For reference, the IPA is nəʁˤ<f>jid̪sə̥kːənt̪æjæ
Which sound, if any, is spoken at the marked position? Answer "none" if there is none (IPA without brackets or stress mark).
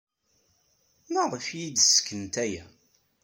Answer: f